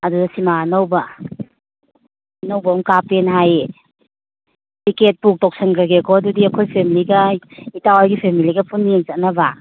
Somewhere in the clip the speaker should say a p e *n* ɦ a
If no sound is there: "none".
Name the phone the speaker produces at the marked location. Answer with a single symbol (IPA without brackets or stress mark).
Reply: n